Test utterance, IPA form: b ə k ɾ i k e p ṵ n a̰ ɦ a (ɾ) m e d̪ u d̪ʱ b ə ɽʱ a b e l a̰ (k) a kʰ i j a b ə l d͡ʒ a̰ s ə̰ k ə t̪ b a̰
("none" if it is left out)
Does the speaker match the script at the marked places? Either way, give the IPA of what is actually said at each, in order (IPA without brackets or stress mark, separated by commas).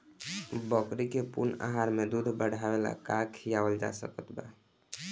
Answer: ɾ, k